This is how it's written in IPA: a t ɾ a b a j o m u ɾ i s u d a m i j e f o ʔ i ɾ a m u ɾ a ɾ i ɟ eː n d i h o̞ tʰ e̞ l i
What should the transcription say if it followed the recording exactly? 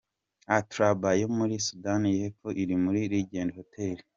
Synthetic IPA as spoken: a t ɾ a b a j o m u ɾ i s u d a n i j e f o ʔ i ɾ i m u ɾ i ɾ i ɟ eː n d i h o̞ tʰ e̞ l i

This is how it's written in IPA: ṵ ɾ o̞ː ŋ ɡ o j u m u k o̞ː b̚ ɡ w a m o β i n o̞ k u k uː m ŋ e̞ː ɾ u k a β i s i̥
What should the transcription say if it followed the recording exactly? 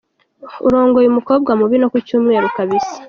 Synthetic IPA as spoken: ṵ ɾ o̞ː ŋ ɡ o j u m u k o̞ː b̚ ɡ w a m u β i n o̞ k u c uː m ŋ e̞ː ɾ u k a β i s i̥

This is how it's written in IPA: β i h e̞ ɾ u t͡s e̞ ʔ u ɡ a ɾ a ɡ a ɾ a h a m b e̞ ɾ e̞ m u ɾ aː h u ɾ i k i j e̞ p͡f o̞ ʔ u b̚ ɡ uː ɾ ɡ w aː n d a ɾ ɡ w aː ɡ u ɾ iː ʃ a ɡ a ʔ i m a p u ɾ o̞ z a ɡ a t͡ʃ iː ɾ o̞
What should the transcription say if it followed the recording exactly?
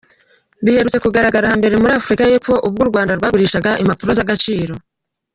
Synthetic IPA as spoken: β i h e̞ ɾ u t͡s e̞ k u ɡ a ɾ a ɡ a ɾ a h a m b e̞ ɾ e̞ m u ɾ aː f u ɾ i k a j e̞ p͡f o̞ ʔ u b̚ ɡ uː ɾ ɡ w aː n d a ɾ ɡ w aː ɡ u ɾ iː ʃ a ɡ a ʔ i m a p u ɾ o̞ z a ɡ a t͡ʃ iː ɾ o̞

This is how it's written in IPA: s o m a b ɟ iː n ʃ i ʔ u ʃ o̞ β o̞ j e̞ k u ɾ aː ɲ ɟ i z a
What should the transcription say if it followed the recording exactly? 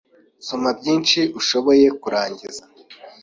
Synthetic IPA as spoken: s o m a b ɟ iː n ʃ i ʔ u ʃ o̞ β o̞ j e̞ k u ɾ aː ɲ ɟ i z a

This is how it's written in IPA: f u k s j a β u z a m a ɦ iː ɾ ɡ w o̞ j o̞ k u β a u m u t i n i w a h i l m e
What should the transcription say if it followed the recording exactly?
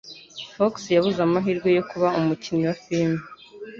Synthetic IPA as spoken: f o k s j a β u z a m a ɦ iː ɾ ɡ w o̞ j o̞ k u β a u m u c i n i w a f i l m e

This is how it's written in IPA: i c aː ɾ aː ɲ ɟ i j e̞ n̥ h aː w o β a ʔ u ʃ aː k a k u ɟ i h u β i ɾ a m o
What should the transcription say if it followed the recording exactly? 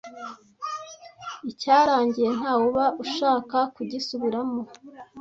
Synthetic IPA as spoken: i c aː ɾ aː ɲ ɟ i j e̞ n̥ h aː w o β a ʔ u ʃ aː k a k u ɟ i s u β i ɾ a m o

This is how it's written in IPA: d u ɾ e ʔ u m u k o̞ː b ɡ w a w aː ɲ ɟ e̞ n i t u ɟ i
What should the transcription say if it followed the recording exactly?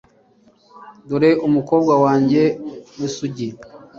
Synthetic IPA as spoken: d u ɾ e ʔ u m u k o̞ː b ɡ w a w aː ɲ ɟ e̞ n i s u ɟ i

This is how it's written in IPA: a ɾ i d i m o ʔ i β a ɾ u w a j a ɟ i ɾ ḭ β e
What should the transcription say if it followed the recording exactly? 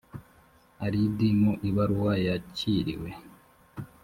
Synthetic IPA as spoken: a ɾ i d i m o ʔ i β a ɾ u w a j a c i ɾ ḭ w e

